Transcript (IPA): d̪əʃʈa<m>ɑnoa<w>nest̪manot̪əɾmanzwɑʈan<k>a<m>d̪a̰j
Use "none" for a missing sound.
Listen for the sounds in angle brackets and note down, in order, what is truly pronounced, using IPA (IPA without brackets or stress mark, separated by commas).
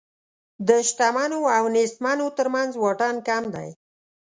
m, w, k, m